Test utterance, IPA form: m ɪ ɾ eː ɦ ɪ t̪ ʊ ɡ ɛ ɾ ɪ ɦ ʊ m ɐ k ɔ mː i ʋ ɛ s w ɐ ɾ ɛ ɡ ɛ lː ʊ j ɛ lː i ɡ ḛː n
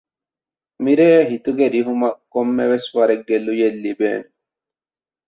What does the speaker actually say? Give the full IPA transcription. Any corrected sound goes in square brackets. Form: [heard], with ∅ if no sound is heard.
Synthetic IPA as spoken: m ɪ ɾ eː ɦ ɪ t̪ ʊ ɡ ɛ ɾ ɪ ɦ ʊ m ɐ k ɔ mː [ɛ] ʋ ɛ s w ɐ ɾ ɛ ɡ ɛ lː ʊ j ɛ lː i [b] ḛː n